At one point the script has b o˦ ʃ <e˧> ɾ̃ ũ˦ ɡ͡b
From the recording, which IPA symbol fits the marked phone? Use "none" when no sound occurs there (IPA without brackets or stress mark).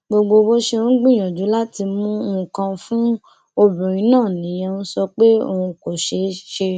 e˧